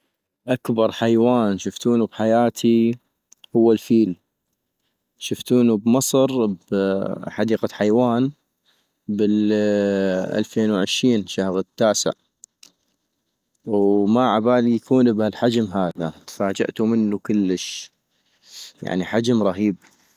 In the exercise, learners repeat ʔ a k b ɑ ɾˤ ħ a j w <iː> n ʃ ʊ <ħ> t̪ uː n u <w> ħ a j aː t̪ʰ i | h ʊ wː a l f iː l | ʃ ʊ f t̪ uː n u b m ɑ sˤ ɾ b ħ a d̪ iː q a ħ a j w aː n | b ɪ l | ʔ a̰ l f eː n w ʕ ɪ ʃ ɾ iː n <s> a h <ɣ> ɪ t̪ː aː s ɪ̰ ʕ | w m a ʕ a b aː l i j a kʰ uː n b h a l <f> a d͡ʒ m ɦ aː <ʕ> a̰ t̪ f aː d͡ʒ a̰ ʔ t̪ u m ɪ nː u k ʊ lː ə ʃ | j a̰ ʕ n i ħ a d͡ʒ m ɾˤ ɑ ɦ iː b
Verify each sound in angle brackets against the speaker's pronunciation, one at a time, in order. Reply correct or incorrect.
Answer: incorrect: aː, incorrect: f, incorrect: b, incorrect: ʃ, correct, incorrect: ħ, incorrect: ð

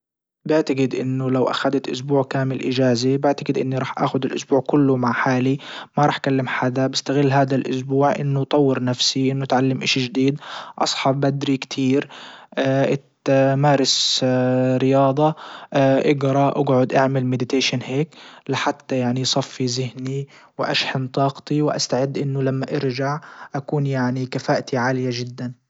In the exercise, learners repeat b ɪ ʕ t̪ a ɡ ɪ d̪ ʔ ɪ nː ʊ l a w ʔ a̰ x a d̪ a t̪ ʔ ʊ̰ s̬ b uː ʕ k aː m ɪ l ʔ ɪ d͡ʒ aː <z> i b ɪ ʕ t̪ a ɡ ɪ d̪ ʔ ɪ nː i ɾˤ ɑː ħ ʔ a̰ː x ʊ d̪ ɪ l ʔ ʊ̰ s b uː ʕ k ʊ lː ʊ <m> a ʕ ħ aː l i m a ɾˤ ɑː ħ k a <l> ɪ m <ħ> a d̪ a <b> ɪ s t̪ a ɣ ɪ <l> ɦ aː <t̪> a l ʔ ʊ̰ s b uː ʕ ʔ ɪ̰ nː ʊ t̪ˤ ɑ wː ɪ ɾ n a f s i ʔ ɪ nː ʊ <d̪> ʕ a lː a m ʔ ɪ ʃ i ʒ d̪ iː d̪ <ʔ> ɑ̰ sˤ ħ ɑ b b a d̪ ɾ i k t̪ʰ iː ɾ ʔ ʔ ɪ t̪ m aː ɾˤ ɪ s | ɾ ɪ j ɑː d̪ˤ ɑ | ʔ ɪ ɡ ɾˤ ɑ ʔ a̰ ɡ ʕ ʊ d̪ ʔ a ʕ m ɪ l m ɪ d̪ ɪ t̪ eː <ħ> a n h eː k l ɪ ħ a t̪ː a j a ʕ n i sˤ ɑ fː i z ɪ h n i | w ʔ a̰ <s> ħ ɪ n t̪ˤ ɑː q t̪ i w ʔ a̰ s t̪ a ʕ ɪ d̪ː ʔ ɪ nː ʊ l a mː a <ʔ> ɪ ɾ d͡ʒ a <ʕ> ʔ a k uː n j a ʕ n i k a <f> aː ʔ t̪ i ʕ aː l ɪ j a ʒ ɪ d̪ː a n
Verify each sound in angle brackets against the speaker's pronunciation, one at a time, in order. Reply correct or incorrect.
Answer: correct, correct, incorrect: lː, correct, correct, incorrect: lː, incorrect: d̪, incorrect: t̪, correct, incorrect: ʃ, incorrect: ʃ, correct, correct, correct

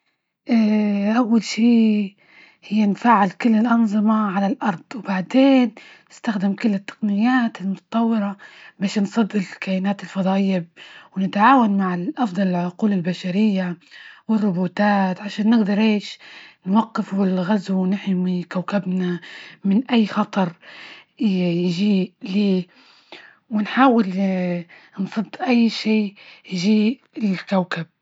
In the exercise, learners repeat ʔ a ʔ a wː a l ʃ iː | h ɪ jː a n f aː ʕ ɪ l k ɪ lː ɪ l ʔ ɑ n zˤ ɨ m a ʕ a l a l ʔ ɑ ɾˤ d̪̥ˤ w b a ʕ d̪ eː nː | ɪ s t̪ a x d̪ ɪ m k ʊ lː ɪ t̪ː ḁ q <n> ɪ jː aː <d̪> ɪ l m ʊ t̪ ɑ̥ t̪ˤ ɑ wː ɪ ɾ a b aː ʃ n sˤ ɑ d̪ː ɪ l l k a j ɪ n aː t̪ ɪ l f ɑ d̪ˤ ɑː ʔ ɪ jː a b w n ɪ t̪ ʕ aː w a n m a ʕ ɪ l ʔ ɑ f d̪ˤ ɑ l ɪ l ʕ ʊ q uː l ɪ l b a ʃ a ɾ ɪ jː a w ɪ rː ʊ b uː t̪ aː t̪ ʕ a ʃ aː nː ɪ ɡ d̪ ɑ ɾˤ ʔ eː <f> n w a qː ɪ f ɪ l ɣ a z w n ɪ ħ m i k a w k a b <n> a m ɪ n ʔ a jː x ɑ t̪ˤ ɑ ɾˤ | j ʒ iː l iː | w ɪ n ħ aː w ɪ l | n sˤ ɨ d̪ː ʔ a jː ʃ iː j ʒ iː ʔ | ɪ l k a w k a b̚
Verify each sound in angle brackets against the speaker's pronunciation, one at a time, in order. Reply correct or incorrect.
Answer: correct, incorrect: t̪, incorrect: ʃ, correct

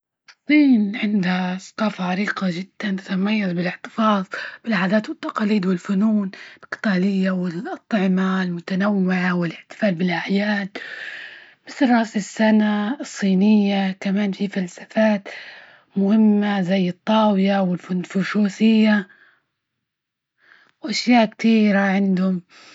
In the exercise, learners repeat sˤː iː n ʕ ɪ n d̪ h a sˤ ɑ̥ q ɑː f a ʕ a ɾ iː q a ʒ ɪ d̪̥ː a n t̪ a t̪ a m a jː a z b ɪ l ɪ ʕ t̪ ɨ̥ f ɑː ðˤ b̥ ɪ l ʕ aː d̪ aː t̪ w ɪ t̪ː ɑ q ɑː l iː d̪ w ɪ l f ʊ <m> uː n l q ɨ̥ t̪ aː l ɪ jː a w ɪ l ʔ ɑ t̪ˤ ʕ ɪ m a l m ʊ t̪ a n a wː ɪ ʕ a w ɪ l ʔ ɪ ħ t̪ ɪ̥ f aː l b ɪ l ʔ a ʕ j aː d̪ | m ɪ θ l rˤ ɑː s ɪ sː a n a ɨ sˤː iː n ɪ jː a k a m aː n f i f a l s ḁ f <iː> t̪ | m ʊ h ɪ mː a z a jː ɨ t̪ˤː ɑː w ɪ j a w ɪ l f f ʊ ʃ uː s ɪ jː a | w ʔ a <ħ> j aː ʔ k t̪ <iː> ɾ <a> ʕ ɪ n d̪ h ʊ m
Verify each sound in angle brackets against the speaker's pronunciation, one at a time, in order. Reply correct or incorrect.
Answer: incorrect: n, incorrect: aː, incorrect: ʃ, correct, correct

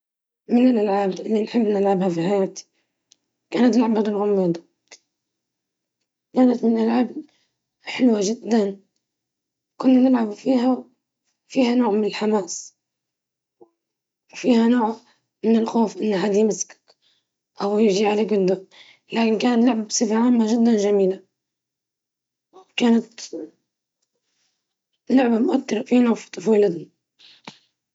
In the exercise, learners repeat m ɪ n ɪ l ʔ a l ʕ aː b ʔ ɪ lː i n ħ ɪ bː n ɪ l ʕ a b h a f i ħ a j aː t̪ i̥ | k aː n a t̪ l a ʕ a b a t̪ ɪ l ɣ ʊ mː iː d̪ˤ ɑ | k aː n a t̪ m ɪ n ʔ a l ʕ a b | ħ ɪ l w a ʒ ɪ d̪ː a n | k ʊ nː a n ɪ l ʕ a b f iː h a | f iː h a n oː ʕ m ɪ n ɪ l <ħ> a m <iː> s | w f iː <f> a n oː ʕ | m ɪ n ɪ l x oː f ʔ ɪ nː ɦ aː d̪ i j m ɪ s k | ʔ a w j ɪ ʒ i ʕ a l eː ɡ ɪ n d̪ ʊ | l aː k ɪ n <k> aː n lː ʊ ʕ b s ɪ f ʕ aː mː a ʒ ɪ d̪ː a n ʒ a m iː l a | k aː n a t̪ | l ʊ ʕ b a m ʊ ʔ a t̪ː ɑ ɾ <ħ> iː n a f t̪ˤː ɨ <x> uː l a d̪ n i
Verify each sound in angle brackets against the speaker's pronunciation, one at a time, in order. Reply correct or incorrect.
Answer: correct, incorrect: aː, incorrect: h, correct, incorrect: f, incorrect: f

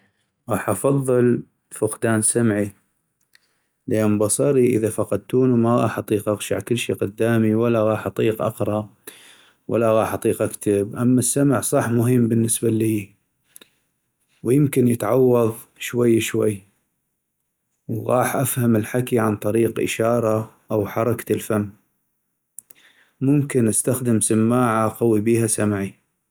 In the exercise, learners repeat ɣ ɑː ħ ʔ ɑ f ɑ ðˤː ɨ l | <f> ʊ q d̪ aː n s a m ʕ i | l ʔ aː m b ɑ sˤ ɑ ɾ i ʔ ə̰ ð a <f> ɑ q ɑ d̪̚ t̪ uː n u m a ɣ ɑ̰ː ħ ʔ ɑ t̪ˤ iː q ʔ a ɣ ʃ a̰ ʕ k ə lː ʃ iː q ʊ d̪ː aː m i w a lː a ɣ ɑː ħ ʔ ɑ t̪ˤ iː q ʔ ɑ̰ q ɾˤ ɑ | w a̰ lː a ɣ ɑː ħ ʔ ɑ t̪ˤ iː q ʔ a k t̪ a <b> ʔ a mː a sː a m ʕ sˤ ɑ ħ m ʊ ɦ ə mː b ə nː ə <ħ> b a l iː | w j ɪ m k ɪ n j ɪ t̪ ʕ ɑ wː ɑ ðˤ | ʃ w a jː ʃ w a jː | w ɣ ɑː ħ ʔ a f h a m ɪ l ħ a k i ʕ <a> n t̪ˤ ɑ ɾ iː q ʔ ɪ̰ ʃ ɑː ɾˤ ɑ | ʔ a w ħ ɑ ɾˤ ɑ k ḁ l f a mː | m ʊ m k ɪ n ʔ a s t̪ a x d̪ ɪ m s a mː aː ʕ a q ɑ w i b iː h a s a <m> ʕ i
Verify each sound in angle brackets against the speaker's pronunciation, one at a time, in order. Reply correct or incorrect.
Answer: correct, correct, correct, incorrect: s, correct, correct

